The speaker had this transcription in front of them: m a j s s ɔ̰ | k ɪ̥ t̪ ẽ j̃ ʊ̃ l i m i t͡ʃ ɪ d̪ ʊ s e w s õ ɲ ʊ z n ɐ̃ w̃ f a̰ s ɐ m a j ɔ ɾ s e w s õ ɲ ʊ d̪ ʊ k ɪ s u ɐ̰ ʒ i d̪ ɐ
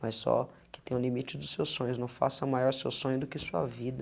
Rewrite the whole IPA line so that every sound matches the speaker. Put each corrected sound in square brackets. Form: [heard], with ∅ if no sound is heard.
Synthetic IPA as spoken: m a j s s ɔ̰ | k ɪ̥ t̪ ẽ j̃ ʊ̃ l i m i t͡ʃ ɪ d̪ ʊ s e w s õ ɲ ʊ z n ɐ̃ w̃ f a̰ s ɐ m a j ɔ ɾ s e w s õ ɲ ʊ d̪ ʊ k ɪ s u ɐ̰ [v] i d̪ ɐ